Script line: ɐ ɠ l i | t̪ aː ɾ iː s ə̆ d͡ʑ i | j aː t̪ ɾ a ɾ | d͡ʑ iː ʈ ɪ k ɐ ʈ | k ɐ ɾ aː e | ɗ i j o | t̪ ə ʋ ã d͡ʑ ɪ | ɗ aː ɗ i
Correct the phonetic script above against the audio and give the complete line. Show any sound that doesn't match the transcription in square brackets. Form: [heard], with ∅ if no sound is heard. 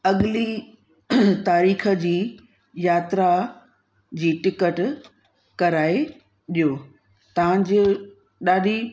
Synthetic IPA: ɐ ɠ l i | t̪ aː ɾ iː [x] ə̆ d͡ʑ [iː] | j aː t̪ ɾ a [∅] | d͡ʑ iː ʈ ɪ k [ə] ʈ | k ɐ ɾ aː e | ɗ i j o | t̪ [ɐ] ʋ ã d͡ʑ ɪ | ɗ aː ɗ i

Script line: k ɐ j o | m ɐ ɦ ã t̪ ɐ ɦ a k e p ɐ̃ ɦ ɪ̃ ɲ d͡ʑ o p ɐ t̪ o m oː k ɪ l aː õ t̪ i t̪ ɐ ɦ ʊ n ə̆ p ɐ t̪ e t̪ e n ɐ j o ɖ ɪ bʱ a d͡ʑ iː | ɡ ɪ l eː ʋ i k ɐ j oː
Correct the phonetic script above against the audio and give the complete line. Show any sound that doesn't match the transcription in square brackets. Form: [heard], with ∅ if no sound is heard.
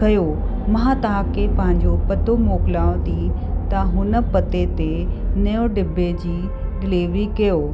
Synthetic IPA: k ɐ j o | m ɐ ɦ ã t̪ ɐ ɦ a k e p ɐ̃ ɦ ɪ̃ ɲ d͡ʑ o p ɐ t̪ o m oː k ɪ l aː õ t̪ i t̪ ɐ ɦ ʊ n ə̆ p ɐ t̪ e t̪ e n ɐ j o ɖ ɪ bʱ [e] d͡ʑ iː | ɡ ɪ l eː ʋ i k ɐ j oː

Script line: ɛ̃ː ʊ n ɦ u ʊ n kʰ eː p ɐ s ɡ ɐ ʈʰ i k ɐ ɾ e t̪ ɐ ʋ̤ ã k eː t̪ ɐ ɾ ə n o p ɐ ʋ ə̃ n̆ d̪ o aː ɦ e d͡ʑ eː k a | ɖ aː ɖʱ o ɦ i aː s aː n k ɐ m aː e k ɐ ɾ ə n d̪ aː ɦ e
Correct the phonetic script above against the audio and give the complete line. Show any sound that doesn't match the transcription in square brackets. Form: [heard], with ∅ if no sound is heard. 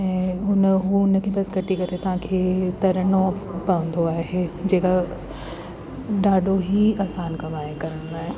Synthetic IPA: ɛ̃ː ʊ n ɦ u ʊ n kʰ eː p ɐ s ɡ ɐ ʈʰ i k ɐ ɾ e t̪ ɐ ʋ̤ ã [kʰ] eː t̪ ɐ ɾ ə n o p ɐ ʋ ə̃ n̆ d̪ o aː ɦ e d͡ʑ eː k a | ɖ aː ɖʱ o ɦ i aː s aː n k ɐ m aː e k ɐ ɾ ə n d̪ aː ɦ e

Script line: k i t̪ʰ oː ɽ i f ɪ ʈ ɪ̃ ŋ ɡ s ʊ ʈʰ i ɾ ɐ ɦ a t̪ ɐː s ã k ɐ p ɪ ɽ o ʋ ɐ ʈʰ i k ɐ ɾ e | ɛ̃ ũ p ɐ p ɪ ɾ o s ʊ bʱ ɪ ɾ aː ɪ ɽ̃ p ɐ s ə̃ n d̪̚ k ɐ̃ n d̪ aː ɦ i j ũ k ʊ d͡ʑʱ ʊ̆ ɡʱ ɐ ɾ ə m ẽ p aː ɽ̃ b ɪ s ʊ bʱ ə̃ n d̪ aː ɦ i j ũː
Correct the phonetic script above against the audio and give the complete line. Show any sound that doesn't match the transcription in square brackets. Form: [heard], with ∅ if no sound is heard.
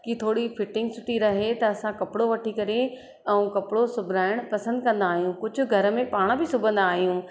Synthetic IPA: k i t̪ʰ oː ɽ i f ɪ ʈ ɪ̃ ŋ ɡ s ʊ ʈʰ i ɾ ɐ ɦ [e] t̪ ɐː s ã k ɐ p ɪ ɽ o ʋ ɐ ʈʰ i k ɐ ɾ e | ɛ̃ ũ [k] ɐ p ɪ [ɽ] o s ʊ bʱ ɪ ɾ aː ɪ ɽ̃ p ɐ s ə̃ n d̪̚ k ɐ̃ n d̪ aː ɦ i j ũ k ʊ d͡ʑʱ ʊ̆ ɡʱ ɐ ɾ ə m ẽ p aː ɽ̃ b ɪ s ʊ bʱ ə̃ n d̪ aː ɦ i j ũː

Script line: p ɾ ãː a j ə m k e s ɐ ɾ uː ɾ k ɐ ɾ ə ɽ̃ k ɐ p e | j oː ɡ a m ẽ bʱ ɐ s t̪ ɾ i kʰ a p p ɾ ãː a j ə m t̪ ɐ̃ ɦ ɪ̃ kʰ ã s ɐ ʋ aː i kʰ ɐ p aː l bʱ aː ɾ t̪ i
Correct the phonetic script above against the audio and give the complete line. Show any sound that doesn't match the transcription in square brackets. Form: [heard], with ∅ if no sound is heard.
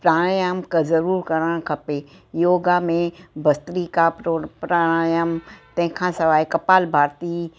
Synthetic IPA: p ɾ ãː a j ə m k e [z] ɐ ɾ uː ɾ k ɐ ɾ ə ɽ̃ [kʰ] ɐ p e | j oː ɡ a m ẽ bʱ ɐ s t̪ ɾ i [k] a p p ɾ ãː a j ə m t̪ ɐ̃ ɦ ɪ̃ kʰ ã s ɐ ʋ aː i [k] ɐ p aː l bʱ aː ɾ t̪ i

